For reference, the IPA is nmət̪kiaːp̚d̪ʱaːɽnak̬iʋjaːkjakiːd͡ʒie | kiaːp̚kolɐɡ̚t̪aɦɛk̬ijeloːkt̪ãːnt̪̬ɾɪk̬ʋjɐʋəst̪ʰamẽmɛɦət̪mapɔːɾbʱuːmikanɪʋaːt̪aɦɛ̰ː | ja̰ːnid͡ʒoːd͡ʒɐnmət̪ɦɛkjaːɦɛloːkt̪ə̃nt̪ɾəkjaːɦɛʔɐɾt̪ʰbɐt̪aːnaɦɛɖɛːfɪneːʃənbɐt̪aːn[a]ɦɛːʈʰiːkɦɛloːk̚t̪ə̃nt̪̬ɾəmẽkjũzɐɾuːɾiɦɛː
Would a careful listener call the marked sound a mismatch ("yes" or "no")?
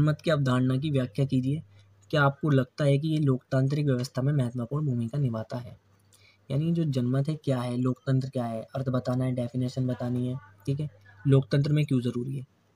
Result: yes